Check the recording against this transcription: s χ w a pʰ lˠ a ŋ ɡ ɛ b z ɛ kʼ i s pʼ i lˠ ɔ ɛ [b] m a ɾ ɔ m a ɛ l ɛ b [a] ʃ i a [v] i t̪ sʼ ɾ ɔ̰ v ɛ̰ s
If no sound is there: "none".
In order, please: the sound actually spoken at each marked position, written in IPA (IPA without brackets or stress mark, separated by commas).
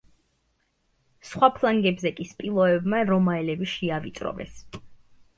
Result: b, i, v